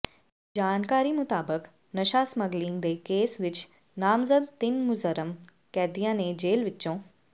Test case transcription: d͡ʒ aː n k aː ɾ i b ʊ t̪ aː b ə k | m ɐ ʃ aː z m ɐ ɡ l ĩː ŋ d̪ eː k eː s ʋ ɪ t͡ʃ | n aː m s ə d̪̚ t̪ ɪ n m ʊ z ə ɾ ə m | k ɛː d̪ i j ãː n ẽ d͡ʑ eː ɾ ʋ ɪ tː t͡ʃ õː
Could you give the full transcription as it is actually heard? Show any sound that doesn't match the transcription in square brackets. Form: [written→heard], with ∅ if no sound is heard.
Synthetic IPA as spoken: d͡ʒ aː n k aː ɾ i [b→m] ʊ t̪ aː b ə k | [m→n] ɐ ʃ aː [z→s] m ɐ ɡ l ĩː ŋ d̪ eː k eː s ʋ ɪ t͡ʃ | n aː m [s→z] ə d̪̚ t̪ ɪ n m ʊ z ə ɾ ə m | k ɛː d̪ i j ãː n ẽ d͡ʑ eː [ɾ→l] ʋ ɪ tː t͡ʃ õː